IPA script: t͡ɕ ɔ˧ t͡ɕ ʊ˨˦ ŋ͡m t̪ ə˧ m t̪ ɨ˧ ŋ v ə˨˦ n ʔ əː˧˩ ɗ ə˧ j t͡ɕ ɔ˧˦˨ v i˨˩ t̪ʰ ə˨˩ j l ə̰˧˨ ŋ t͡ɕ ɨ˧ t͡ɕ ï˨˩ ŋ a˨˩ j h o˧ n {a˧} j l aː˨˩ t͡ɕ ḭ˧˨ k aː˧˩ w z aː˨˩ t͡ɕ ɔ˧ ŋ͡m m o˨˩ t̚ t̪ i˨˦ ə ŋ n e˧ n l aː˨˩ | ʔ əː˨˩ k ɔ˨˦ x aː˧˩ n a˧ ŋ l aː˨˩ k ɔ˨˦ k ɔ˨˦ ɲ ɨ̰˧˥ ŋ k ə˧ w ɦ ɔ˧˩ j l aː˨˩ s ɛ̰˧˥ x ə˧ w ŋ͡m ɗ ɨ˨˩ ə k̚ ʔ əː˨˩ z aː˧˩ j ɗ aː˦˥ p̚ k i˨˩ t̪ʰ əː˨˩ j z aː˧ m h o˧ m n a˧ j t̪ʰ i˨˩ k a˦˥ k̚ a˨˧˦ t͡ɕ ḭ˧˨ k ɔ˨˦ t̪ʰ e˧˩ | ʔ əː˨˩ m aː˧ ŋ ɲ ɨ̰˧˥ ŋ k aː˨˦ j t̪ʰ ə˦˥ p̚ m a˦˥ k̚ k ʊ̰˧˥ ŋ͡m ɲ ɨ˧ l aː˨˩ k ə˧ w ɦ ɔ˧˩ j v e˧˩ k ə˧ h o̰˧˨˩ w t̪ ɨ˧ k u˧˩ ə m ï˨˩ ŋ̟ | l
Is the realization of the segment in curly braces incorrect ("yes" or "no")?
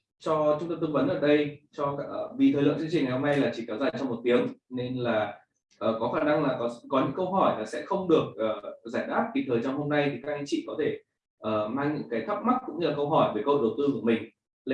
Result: no